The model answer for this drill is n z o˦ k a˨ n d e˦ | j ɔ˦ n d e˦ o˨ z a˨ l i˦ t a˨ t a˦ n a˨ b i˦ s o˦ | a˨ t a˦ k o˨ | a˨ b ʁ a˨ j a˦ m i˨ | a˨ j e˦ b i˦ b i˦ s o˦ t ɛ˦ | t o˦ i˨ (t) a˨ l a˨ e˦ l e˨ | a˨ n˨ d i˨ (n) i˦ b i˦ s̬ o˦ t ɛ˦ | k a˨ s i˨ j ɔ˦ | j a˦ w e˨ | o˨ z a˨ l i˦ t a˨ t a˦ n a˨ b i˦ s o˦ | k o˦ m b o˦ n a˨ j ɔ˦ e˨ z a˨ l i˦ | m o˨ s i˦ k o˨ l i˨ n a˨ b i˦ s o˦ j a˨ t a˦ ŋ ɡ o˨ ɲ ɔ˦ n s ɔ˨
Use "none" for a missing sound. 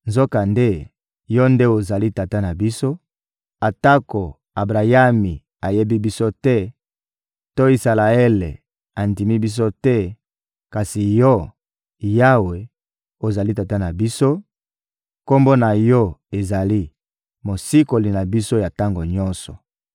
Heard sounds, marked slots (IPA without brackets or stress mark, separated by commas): s, m